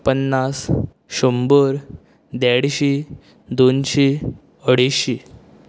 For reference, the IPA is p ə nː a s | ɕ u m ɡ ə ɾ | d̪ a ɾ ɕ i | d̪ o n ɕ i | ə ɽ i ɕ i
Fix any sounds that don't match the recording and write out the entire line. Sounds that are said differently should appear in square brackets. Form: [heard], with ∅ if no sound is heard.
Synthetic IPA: p ə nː a s | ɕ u m [b] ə ɾ | d̪ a [ɽ] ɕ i | d̪ o n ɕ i | ə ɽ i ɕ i